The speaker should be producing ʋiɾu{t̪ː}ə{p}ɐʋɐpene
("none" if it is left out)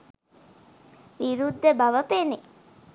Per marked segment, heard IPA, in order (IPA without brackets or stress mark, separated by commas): d̪ː, b